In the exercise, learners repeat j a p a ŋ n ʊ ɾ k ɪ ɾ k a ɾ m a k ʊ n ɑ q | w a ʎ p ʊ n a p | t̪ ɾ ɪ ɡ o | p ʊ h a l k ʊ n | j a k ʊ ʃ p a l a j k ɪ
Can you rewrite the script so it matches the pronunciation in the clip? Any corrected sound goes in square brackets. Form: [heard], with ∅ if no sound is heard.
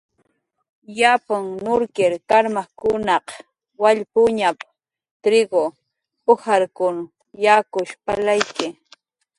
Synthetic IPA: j a p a ŋ n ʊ ɾ k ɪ ɾ k a ɾ m a k ʊ n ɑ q | w a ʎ p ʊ [ɲ] a p | t̪ ɾ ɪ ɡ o | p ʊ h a [ɾ] k ʊ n | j a k ʊ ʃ p a l a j k ɪ